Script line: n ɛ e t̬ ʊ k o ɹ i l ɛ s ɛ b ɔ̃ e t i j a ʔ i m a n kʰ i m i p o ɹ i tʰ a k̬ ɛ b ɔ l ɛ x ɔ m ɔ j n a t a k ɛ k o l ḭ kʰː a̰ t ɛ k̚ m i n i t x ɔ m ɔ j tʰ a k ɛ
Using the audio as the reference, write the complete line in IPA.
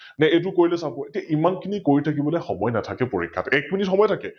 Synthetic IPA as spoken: n ɛ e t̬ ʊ k o ɹ i l ɛ s a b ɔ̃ e t i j a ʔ i m a n kʰ i n i k o ɹ i tʰ a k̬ i b ɔ l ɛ x ɔ m ɔ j n a tʰ a k ɛ p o ɹ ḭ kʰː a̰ t ɛ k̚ m i n i t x ɔ m ɔ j tʰ a k ɛ